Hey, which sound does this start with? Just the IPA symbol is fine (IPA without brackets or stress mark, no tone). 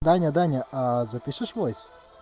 d̪